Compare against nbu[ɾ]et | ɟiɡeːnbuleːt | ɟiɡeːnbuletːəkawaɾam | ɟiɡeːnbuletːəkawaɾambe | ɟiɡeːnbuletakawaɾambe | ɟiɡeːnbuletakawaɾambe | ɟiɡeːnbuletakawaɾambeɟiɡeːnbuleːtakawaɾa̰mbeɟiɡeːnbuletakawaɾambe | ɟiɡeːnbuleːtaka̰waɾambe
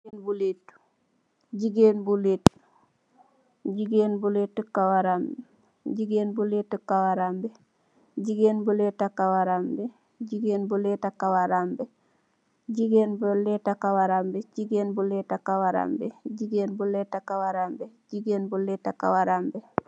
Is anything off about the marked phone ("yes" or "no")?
yes